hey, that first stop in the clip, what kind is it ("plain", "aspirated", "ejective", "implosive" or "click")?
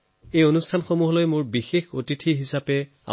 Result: aspirated